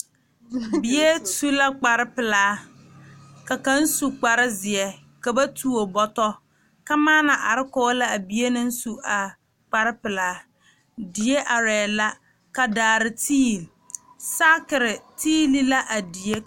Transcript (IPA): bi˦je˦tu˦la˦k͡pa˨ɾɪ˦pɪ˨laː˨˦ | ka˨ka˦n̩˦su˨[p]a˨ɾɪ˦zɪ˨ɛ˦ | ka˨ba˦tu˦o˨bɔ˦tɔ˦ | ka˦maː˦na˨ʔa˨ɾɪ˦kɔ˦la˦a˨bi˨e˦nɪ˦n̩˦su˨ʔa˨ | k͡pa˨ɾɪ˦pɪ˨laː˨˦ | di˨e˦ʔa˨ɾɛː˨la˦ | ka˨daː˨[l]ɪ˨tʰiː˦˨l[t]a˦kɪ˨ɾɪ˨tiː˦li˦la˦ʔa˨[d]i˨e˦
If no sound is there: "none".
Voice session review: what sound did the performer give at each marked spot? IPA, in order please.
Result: k͡p, ɾ, s, d

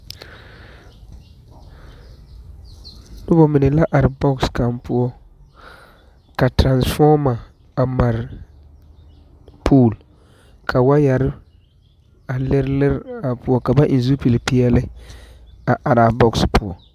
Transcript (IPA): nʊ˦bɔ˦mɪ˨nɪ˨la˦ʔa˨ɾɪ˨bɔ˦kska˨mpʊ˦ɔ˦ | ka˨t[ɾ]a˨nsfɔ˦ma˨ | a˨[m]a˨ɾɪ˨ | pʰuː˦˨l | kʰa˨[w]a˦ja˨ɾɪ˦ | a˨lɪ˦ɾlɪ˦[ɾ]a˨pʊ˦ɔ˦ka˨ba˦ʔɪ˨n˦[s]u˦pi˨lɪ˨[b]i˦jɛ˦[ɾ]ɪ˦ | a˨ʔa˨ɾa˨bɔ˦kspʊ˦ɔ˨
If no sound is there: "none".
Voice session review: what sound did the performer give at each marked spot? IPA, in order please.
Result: ɾ, m, w, ɾ, z, p, l

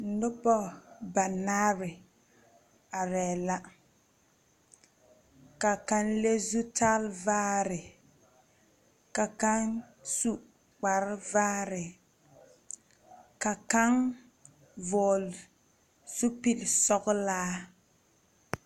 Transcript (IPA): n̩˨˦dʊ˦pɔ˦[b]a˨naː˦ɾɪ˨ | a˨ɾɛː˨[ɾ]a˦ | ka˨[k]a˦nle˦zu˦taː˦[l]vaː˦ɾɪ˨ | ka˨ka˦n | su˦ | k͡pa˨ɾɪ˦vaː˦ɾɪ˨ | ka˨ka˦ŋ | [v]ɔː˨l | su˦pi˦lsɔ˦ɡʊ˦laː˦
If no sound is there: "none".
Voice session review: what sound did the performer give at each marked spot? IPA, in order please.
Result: b, l, k, l, v

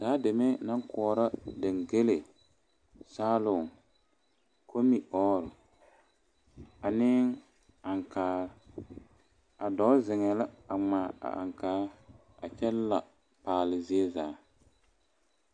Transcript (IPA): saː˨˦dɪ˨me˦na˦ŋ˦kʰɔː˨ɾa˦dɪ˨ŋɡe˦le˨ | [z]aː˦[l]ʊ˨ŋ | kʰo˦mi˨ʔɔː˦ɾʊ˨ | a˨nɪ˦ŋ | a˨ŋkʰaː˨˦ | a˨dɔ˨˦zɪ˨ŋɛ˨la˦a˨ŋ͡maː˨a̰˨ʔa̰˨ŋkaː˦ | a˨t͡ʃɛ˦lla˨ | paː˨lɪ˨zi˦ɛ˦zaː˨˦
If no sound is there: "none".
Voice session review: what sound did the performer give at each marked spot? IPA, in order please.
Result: s, l

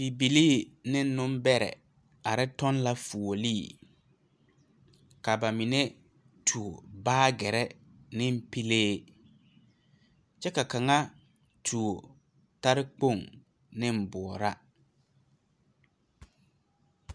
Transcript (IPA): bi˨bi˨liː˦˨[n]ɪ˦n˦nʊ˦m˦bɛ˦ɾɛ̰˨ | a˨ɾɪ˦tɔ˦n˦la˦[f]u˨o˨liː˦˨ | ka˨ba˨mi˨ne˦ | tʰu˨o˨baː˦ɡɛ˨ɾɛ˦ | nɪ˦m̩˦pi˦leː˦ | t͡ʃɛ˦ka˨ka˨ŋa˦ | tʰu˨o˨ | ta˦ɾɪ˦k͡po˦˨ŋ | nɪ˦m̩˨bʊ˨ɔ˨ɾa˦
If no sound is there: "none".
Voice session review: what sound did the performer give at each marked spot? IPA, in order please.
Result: n, f

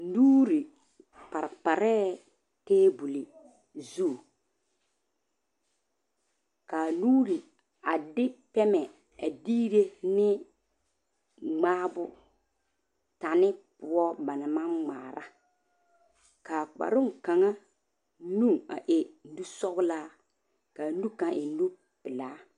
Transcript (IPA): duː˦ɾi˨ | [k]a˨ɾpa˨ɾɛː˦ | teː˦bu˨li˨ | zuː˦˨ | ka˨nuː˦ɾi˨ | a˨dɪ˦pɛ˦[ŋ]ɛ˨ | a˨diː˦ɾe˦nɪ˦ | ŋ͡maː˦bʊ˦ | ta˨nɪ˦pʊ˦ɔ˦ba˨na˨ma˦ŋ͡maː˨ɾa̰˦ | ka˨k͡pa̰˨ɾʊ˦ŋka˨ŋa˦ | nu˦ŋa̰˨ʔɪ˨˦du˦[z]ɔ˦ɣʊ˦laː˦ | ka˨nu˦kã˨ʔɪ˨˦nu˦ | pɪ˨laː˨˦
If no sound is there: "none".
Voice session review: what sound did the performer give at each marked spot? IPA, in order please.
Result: p, m, s

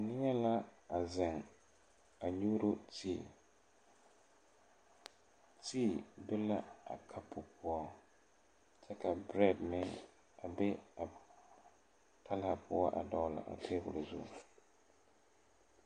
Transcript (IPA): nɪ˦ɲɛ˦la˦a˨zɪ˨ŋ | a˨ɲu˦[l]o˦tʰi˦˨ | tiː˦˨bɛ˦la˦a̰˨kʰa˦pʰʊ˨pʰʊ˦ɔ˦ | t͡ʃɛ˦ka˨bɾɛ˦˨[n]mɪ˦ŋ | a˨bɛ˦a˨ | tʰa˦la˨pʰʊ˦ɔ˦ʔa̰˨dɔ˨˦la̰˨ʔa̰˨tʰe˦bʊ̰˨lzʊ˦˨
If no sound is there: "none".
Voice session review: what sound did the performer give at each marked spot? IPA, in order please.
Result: ɾ, d

